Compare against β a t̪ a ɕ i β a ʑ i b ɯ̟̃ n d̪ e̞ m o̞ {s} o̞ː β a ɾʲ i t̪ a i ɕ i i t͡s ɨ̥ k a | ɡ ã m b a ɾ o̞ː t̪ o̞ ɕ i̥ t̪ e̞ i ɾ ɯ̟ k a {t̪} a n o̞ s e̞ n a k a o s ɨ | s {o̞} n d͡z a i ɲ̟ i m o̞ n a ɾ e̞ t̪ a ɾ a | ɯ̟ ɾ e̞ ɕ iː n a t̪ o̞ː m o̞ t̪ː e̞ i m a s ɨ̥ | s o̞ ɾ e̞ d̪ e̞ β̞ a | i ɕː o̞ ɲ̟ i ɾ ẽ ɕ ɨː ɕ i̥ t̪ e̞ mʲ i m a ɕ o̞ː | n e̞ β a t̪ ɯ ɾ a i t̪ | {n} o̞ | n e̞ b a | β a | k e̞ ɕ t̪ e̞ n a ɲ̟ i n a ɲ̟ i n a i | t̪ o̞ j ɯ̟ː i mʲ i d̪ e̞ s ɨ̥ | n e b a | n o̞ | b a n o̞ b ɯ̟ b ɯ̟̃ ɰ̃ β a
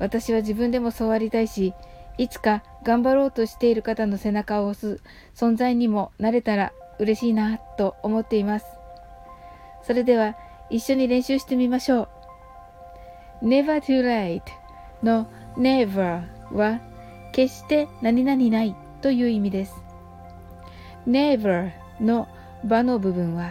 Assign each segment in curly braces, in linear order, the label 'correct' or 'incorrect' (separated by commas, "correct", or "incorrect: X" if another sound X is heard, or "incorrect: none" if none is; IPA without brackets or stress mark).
correct, correct, incorrect: õ̞, correct